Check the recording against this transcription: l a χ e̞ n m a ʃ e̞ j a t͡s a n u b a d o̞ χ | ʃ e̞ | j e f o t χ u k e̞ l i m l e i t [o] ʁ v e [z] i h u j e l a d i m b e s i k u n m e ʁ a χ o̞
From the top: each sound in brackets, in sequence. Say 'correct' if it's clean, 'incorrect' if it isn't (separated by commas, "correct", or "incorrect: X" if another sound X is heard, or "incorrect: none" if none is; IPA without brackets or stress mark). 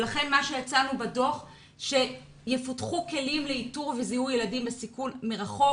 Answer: incorrect: u, correct